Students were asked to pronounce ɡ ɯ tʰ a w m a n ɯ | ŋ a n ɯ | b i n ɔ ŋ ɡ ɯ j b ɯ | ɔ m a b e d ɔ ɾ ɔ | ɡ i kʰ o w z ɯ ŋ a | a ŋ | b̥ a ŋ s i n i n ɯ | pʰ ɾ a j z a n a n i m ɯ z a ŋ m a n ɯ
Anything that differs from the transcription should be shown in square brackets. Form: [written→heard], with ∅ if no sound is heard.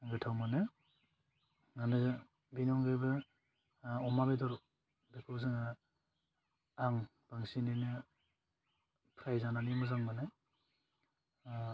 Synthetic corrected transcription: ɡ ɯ tʰ a w m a n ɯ | ŋ a n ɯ | b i n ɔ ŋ ɡ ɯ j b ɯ | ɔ m a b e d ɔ ɾ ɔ | [ɡ→b] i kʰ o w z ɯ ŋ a | a ŋ | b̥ a ŋ s i n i n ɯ | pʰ ɾ a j z a n a n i m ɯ z a ŋ m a n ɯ